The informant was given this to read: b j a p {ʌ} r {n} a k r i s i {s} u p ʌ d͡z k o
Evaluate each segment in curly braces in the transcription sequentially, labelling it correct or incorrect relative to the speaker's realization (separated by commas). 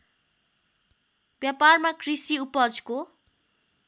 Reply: incorrect, incorrect, incorrect